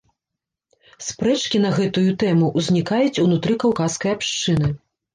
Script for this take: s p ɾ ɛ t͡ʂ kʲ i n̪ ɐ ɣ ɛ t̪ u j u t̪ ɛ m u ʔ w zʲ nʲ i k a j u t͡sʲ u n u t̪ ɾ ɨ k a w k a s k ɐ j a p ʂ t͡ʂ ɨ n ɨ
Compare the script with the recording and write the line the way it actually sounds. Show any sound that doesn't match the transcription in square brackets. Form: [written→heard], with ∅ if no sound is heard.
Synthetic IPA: s p ɾ ɛ t͡ʂ kʲ i n̪ ɐ ɣ ɛ t̪ u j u t̪ ɛ m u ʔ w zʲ nʲ i k a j u t͡sʲ u n u t̪ ɾ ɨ k a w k a s k ɐ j a p ʂ t͡ʂ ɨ n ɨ